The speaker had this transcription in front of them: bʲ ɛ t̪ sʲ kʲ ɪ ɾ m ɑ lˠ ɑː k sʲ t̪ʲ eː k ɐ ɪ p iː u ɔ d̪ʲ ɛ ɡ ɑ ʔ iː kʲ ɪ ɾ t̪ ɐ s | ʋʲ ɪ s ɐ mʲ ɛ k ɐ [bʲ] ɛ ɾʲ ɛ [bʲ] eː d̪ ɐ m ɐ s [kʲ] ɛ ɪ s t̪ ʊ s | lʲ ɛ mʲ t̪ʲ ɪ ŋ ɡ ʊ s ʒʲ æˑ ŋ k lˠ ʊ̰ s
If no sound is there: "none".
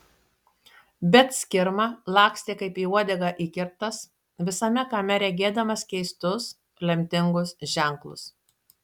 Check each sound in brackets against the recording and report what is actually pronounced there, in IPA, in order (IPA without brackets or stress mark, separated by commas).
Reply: mʲ, ɡʲ, kʲ